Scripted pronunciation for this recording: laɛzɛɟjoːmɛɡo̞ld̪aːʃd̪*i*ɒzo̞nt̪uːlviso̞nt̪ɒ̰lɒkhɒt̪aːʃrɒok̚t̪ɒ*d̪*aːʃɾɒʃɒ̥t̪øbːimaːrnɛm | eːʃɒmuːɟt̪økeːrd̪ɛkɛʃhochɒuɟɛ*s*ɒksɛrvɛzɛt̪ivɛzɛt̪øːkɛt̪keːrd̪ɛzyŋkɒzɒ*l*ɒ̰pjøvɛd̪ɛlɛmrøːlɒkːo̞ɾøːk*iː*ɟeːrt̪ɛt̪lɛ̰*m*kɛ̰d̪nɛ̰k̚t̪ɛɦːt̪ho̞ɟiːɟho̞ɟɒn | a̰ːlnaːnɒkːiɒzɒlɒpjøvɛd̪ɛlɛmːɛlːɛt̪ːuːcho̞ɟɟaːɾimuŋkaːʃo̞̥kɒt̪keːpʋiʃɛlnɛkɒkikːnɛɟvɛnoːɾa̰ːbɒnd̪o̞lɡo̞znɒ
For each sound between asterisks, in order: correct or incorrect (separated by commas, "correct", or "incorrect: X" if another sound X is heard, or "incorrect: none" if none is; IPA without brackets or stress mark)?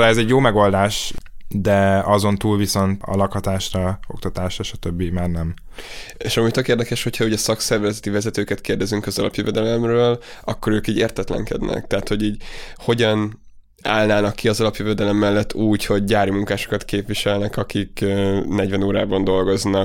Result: incorrect: ɛ, incorrect: t̪, correct, correct, correct, incorrect: ŋ